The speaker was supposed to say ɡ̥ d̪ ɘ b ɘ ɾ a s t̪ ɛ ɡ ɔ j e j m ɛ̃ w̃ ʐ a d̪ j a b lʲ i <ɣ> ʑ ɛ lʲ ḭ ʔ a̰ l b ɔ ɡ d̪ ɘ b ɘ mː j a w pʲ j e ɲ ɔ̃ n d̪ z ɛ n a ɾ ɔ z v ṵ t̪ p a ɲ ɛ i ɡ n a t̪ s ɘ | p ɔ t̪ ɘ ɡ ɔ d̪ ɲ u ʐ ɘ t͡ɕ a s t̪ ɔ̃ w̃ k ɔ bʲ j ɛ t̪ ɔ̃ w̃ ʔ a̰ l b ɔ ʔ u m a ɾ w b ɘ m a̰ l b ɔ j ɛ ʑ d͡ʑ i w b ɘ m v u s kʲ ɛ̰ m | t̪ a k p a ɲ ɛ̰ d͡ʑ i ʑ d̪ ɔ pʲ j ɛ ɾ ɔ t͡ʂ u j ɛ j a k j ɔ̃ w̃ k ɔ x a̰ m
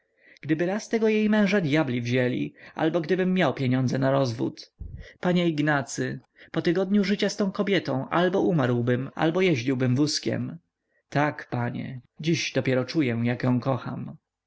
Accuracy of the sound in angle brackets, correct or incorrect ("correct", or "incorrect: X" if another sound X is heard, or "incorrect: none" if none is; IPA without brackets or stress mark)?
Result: incorrect: v